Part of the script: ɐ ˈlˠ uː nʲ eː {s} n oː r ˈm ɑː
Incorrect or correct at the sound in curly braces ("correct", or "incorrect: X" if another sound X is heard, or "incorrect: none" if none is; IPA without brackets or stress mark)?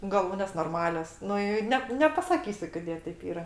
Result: correct